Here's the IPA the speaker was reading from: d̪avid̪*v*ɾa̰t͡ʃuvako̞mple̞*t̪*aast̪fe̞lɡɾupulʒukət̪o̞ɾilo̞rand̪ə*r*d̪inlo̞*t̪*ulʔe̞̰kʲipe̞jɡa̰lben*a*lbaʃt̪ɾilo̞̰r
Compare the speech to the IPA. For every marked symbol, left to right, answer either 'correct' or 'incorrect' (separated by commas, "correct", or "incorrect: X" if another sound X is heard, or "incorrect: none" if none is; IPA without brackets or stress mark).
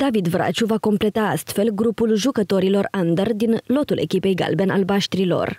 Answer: correct, correct, correct, correct, correct